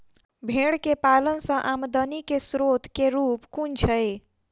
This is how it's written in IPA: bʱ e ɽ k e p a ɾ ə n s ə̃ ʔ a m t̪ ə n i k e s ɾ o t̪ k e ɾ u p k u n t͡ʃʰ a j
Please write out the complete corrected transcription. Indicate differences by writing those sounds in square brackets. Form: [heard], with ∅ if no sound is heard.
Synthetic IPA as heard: bʱ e ɽ k e p a [l] ə n s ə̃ ʔ a m [d̪] ə n i k e s ɾ o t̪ k e ɾ u p k u n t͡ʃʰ [ə] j